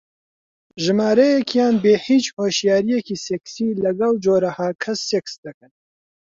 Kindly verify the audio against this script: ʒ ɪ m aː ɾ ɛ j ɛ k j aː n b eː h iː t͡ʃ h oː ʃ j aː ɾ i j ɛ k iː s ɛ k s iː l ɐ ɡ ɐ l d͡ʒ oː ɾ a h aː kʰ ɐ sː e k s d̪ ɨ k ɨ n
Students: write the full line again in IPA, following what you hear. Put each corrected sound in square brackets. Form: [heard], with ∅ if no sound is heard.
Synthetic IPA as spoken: ʒ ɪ m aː ɾ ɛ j ɛ k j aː n b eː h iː t͡ʃ h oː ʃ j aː ɾ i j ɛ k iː s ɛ k s iː l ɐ ɡ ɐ l d͡ʒ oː ɾ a h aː kʰ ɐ sː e k s d̪ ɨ k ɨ n